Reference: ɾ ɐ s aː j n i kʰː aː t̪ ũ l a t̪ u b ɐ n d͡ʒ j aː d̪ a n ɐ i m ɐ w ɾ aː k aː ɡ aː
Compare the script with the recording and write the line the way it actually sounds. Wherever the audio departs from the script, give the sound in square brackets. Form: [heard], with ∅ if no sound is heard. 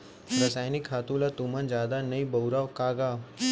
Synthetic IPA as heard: ɾ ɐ s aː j n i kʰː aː t̪ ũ l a t̪ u [m] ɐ n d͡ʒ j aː d̪ a n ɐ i [b] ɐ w ɾ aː k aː ɡ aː